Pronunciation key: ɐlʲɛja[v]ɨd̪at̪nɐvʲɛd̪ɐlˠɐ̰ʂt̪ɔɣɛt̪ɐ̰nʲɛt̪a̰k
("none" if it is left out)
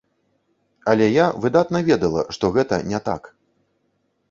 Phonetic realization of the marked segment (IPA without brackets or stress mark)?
v